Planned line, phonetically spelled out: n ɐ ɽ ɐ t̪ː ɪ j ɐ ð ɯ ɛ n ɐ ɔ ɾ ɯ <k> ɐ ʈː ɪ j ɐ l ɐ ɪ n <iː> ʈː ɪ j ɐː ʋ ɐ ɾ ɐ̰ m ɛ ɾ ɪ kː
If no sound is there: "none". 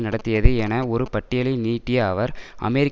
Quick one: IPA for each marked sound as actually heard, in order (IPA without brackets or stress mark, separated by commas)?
p, iː